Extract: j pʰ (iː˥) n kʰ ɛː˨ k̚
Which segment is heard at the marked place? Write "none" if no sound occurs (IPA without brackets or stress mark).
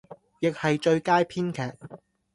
iː˥